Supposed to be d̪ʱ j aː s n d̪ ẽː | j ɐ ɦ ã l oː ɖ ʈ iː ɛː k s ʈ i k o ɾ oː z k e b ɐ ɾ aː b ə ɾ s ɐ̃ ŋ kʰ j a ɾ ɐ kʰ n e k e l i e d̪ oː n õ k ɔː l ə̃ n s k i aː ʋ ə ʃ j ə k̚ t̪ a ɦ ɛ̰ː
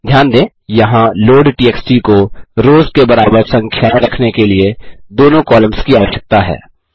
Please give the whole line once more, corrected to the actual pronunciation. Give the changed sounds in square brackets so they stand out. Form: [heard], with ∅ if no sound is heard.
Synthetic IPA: d̪ʱ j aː [∅] n d̪ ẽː | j ɐ ɦ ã l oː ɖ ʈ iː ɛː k s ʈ i k o ɾ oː z k e b ɐ ɾ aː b ə ɾ s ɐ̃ ŋ kʰ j a ɾ ɐ kʰ n e k e l i e d̪ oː n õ k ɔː l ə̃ [m] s k i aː ʋ ə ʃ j ə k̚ t̪ a ɦ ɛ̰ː